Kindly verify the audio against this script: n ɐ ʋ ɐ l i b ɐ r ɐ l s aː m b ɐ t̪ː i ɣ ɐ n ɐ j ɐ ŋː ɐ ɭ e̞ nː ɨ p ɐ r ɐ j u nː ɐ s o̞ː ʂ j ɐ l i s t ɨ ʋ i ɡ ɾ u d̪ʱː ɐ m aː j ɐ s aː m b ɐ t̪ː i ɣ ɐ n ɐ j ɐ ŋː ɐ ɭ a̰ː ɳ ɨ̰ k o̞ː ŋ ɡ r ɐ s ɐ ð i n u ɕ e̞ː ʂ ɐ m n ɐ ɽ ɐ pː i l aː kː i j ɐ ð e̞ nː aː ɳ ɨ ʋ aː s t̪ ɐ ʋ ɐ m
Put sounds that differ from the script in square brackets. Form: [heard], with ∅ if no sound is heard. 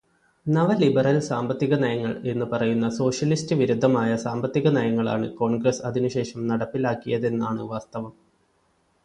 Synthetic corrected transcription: n ɐ ʋ ɐ l i b ɐ r ɐ l s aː m b ɐ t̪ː i ɣ ɐ n ɐ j ɐ ŋː ɐ ɭ e̞ nː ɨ p ɐ r ɐ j u nː ɐ s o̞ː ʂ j ɐ l i s t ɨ ʋ i [∅] ɾ u d̪ʱː ɐ m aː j ɐ s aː m b ɐ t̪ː i ɣ ɐ n ɐ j ɐ ŋː ɐ ɭ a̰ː ɳ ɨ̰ k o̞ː [ɳ] ɡ r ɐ s ɐ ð i n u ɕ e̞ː ʂ ɐ m n ɐ ɽ ɐ pː i l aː kː i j ɐ ð e̞ nː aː ɳ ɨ ʋ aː s t̪ ɐ ʋ ɐ m